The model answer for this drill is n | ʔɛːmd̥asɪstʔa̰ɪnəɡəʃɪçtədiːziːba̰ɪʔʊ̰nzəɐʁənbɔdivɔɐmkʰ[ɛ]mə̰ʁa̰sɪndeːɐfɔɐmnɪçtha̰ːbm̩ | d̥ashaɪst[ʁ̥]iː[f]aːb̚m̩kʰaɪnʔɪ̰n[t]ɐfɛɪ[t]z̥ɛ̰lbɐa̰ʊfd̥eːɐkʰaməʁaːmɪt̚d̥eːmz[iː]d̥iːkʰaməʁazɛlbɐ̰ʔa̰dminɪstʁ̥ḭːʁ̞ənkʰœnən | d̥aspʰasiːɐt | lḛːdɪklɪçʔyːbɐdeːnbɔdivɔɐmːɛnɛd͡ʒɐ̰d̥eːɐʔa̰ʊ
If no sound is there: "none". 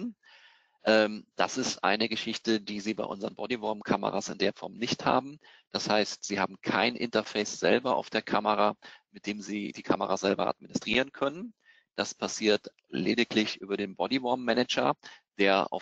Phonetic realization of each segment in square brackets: a, z̥, h, t, s, iː

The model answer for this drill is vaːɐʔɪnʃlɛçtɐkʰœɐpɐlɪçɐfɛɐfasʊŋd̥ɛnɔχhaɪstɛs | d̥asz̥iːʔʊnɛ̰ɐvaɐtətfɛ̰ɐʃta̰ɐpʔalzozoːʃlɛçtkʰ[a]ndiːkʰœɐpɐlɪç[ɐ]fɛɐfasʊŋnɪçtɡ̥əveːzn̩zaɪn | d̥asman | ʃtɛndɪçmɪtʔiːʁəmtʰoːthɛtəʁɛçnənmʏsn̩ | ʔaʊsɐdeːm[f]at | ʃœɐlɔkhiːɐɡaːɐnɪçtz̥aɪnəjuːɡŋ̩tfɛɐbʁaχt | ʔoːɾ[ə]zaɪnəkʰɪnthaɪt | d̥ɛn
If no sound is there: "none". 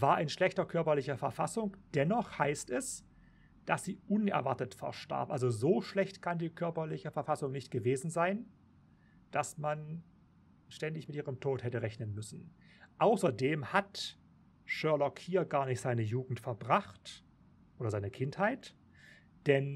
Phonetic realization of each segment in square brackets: a, ə, h, ɐ

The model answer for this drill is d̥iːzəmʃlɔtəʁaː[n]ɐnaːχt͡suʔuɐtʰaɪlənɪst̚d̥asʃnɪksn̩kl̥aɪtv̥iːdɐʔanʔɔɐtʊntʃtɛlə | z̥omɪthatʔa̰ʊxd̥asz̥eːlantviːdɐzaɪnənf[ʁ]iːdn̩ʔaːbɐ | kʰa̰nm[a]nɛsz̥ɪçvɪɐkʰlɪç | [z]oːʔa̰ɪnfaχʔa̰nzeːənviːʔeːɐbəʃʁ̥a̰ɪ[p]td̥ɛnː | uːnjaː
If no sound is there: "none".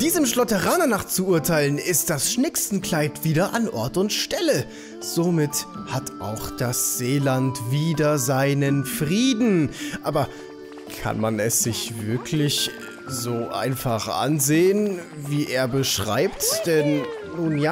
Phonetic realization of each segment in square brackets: n, ʁ, a, z, p

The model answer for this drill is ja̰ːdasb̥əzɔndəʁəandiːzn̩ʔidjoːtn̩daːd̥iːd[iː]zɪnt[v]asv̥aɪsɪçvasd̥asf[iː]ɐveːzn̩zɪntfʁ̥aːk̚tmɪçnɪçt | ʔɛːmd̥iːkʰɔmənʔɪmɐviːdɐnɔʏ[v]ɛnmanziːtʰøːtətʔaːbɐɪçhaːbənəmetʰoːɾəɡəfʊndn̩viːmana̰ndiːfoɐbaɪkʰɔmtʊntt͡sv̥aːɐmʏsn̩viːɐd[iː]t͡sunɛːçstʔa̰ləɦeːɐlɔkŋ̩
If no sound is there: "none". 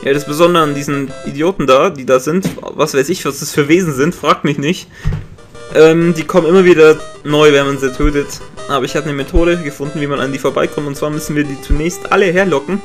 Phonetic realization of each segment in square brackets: aː, v, yː, v, iː

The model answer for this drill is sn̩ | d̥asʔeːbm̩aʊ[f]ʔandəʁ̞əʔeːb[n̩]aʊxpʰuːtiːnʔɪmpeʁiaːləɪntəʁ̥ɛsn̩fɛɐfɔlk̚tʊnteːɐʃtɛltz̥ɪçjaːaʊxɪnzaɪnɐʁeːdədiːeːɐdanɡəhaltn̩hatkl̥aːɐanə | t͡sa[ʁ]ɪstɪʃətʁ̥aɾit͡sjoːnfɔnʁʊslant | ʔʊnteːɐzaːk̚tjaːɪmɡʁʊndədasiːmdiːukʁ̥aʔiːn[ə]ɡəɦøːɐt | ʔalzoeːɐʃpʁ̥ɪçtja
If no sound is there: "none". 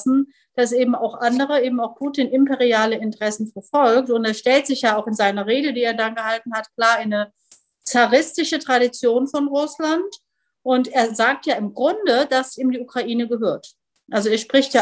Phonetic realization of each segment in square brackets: x, m̩, ʁ, ə

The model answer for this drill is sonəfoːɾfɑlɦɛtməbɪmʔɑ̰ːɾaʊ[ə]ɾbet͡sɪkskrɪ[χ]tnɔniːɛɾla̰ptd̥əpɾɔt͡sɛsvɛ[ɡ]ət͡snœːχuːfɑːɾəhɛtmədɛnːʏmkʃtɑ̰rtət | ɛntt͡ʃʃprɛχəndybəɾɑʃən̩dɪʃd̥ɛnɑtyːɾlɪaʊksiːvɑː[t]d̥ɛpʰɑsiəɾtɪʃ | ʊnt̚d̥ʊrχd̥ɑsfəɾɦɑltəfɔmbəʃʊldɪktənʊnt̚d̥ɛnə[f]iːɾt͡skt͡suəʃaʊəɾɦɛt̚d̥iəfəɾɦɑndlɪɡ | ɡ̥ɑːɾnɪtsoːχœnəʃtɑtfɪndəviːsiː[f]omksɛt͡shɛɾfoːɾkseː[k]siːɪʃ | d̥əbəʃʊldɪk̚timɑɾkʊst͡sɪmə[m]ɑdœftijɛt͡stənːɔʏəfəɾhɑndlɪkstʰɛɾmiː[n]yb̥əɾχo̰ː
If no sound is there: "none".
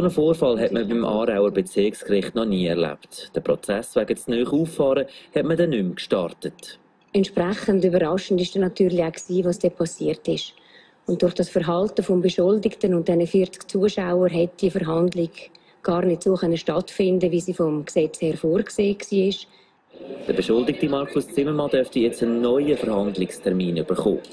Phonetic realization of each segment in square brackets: ə, χ, ɡ, s, f, f, k, m, n

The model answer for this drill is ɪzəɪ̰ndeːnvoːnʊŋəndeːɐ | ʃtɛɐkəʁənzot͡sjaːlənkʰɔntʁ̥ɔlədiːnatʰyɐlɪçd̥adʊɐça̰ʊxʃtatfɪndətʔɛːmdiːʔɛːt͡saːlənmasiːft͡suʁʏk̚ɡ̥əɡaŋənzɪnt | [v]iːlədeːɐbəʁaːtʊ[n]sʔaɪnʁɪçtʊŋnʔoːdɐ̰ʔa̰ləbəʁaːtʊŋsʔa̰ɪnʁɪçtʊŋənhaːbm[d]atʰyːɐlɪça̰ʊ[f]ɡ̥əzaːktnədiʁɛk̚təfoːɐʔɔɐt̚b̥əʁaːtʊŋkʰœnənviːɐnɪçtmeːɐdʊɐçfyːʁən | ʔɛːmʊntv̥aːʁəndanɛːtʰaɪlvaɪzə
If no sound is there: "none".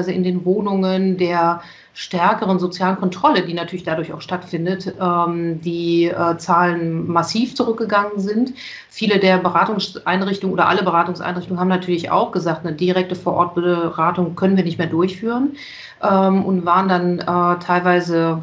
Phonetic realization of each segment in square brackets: f, ŋ, n, x

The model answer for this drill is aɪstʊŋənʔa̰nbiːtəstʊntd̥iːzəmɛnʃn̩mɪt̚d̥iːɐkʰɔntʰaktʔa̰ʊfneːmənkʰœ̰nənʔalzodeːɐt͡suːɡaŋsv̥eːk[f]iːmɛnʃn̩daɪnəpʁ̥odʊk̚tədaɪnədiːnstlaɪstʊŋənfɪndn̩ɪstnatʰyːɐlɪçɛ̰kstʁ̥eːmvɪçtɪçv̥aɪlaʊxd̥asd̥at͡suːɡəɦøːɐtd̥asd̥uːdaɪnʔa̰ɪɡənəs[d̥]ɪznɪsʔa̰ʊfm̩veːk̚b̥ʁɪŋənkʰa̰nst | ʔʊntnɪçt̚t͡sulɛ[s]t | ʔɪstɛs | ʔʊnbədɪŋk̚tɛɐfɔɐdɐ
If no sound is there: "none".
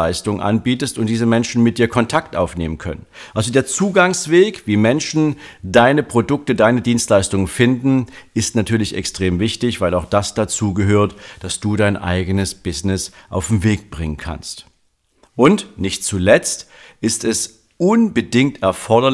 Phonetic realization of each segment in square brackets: v, b̥, t͡s

